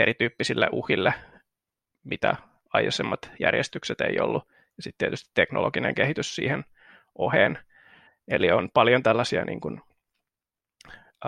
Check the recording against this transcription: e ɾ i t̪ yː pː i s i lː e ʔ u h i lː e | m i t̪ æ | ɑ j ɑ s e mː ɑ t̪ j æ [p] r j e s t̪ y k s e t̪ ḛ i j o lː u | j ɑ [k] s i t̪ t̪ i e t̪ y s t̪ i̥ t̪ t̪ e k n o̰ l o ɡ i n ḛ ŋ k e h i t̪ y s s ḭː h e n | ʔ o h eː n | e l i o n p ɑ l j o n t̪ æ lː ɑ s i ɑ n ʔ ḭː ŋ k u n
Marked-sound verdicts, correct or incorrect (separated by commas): incorrect, incorrect